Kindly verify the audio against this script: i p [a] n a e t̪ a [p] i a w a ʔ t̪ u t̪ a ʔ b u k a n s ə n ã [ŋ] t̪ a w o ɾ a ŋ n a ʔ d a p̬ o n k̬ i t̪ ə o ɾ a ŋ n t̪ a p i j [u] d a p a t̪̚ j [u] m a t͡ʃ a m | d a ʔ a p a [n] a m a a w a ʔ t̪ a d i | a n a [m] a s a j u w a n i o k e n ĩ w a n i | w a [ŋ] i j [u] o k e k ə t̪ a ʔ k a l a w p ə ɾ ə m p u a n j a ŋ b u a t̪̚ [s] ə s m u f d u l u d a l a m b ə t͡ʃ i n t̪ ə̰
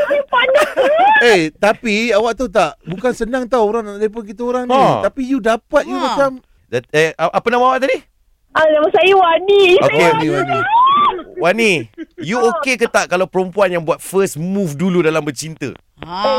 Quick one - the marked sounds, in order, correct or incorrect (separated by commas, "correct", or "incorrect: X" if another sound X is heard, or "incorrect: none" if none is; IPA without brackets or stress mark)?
correct, correct, correct, correct, correct, correct, correct, incorrect: n, correct, incorrect: f